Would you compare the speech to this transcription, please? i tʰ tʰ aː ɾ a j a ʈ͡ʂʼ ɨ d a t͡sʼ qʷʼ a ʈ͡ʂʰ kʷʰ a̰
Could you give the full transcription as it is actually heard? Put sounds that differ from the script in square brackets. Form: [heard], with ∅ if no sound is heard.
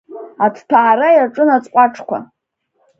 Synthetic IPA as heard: [a] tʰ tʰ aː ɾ a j a ʈ͡ʂʼ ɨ [n] a t͡sʼ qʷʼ a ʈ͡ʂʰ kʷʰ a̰